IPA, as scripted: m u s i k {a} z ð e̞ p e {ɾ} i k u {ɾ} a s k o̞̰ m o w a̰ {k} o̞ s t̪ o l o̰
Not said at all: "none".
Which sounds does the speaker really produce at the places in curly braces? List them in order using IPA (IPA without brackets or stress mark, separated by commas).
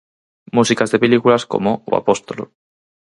a, l, l, p